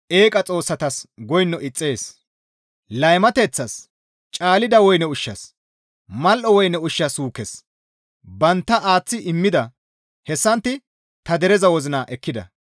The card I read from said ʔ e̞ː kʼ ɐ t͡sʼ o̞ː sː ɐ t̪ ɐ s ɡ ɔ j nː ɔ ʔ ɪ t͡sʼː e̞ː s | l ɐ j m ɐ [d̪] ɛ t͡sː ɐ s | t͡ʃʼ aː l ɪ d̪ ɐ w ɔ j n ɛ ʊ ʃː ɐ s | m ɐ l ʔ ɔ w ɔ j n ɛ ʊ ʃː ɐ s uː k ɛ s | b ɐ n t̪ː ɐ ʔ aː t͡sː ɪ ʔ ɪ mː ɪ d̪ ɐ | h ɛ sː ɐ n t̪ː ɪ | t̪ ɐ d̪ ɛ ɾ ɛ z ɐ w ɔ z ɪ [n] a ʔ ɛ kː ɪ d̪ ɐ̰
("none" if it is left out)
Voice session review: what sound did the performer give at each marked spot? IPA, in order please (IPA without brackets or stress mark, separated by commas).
t̪, n